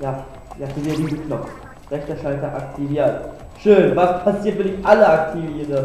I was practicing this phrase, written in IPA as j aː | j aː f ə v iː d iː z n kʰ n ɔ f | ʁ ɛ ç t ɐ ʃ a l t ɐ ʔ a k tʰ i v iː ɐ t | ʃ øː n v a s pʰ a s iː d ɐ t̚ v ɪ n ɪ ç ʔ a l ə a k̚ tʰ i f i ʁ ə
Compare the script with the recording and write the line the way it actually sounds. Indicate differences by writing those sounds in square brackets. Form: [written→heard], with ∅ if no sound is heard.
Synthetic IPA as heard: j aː | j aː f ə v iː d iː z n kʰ n ɔ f | ʁ ɛ ç t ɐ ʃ a l t ɐ ʔ a k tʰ i v iː ɐ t | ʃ øː n v a s pʰ a s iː [d→∅] ɐ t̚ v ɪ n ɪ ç ʔ a l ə a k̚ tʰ i [f→v] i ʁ ə